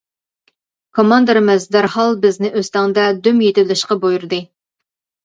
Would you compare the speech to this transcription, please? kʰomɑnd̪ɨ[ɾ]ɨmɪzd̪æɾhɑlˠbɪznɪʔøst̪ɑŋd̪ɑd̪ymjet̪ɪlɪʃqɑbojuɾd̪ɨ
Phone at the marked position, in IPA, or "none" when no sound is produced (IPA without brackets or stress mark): ɾ